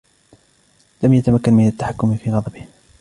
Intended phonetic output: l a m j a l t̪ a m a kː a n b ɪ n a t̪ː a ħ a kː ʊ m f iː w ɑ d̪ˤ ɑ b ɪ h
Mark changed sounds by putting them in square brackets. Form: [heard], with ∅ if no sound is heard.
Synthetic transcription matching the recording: l a m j a [∅] t̪ a m a kː a n [m] ɪ n a t̪ː a ħ a kː ʊ m f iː [ɣ] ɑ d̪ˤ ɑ b ɪ h